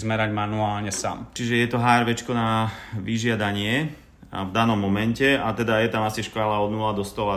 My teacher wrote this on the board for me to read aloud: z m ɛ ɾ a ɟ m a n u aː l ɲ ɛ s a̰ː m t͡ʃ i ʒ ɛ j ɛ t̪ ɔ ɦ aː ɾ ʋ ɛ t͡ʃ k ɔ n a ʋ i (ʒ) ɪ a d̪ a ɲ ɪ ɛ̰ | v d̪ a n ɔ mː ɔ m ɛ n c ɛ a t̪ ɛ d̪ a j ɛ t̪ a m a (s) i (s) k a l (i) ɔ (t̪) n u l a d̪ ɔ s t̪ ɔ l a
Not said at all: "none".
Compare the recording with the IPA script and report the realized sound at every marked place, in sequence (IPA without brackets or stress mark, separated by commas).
ʒ, s, ʃ, a, d̪